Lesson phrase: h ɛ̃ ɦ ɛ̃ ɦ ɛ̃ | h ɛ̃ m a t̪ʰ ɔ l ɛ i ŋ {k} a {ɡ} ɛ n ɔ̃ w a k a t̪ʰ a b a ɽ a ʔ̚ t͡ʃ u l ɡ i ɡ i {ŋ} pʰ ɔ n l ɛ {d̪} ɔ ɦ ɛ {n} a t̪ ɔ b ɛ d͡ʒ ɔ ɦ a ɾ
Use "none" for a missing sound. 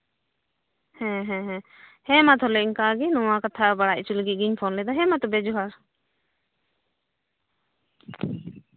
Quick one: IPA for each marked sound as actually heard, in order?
k, ɡ, ɲ, d̪, m

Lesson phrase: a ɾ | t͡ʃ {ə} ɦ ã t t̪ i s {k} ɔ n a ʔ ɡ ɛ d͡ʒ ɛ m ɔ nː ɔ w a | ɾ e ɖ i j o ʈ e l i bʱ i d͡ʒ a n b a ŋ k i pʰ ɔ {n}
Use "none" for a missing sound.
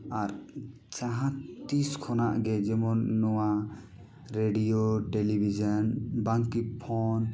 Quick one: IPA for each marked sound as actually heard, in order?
a, kʰ, n

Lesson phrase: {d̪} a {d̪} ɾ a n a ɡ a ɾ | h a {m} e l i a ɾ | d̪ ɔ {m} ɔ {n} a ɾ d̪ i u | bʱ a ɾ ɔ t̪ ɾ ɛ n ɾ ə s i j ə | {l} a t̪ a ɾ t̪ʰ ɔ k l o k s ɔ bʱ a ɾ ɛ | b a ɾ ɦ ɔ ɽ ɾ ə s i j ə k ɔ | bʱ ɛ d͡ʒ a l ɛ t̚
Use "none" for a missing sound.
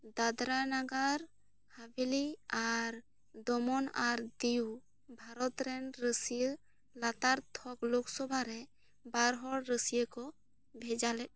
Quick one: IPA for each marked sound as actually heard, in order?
d̪, d̪, b, m, n, l

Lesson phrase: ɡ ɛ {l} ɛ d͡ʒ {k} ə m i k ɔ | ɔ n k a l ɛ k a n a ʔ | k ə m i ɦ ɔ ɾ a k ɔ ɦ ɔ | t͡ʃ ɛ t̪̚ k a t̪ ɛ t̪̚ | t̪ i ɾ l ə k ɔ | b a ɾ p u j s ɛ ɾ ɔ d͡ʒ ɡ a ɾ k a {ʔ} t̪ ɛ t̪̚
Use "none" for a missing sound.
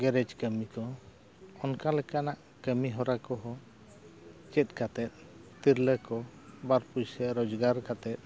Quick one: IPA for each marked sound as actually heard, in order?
ɾ, k, none

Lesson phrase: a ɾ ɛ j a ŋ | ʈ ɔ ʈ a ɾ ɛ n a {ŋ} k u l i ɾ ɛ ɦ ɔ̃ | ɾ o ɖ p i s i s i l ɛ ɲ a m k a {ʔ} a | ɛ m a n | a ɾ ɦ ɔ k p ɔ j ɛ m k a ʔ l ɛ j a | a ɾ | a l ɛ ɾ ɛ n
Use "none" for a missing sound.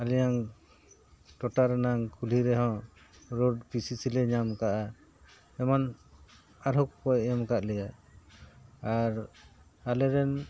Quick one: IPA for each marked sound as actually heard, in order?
ŋ, ʔ

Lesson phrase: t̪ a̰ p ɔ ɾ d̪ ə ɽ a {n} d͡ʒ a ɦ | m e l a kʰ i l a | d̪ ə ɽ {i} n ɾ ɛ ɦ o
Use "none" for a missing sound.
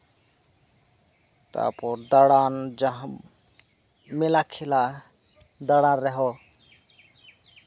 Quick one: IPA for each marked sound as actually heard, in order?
n, a

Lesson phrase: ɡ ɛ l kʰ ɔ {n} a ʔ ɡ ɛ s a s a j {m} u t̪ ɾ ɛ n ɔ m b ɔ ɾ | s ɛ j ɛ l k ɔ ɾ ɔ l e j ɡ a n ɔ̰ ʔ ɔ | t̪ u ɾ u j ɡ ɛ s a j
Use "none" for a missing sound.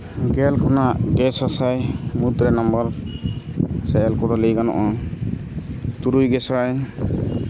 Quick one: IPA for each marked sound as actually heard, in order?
n, m

